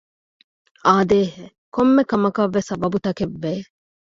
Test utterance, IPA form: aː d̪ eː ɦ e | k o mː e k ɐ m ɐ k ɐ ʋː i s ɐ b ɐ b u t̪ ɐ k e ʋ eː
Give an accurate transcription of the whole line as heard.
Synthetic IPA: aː d̪ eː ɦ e | k o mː e k ɐ m ɐ k ɐ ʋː e s ɐ b ɐ b u t̪ ɐ k e ʋː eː